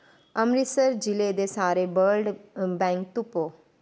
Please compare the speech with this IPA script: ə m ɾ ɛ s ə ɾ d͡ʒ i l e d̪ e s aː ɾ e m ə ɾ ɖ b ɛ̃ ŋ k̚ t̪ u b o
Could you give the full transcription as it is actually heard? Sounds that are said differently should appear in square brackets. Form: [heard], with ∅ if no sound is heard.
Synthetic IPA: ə m ɾ [i] s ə ɾ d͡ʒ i l e d̪ e s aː ɾ e [b] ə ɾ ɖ b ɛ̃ ŋ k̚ t̪ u [p] o